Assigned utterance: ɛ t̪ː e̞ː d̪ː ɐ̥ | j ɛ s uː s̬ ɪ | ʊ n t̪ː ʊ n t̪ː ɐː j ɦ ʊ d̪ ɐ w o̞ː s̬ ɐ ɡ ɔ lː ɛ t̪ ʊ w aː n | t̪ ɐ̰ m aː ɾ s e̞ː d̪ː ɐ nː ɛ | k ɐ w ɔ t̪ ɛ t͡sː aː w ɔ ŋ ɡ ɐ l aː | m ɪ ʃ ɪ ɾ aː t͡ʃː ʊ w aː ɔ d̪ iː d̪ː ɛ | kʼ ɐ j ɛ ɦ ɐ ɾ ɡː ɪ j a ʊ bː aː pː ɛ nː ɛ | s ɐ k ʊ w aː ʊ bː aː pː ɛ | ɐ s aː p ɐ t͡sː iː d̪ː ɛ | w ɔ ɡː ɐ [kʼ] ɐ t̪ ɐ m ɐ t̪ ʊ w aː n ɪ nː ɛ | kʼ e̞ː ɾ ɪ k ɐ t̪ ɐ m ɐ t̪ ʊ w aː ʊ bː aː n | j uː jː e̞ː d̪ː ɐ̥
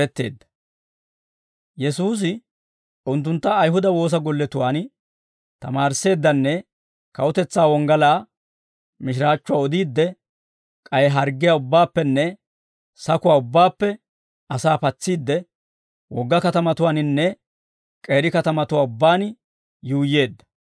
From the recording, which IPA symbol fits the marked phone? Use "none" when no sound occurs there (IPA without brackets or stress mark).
k